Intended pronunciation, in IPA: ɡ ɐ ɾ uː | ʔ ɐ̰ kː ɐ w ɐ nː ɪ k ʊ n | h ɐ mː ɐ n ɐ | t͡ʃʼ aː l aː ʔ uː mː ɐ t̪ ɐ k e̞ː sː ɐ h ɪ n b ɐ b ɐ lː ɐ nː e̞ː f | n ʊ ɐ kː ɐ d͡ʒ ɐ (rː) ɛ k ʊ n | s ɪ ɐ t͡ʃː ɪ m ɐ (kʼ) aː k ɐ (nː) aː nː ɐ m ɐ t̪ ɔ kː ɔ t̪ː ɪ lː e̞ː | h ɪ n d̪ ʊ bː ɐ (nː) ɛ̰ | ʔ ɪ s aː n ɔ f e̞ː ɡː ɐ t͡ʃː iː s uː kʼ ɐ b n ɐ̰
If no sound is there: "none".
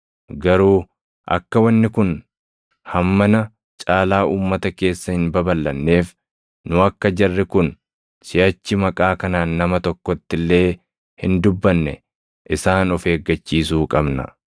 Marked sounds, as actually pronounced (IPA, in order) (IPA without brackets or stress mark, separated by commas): rː, kʼ, n, nː